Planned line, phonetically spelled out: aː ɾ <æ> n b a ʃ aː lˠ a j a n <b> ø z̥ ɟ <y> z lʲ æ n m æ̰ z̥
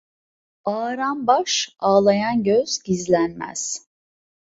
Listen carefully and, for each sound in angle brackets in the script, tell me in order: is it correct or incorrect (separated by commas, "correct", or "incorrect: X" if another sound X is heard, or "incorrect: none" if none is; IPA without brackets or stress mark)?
incorrect: a, incorrect: ɟ, incorrect: i